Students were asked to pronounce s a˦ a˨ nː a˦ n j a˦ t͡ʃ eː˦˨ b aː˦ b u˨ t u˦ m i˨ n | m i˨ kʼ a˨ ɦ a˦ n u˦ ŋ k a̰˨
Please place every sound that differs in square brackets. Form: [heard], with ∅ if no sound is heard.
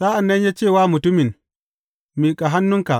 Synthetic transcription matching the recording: s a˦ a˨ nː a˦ n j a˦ t͡ʃ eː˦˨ [w] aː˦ [m] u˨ t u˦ m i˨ n | m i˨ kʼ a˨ ɦ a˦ [nː] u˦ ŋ k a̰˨